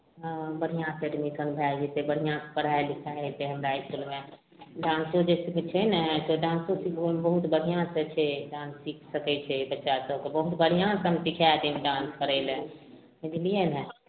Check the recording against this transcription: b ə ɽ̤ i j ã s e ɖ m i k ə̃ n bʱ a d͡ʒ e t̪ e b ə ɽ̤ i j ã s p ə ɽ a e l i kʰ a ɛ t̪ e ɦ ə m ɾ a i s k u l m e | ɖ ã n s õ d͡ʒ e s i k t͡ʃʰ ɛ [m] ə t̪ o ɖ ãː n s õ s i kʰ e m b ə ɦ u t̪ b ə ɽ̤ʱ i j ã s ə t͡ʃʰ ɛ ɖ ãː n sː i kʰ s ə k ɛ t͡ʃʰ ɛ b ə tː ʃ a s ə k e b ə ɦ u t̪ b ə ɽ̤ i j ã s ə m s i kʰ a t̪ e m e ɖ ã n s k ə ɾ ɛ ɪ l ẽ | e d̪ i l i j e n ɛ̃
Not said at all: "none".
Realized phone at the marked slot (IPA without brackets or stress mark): n